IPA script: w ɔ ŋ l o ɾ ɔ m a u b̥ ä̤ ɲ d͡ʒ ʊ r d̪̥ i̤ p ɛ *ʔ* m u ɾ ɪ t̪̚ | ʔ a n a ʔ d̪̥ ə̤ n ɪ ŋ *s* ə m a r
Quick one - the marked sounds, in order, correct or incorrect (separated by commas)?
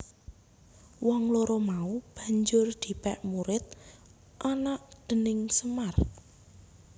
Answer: correct, correct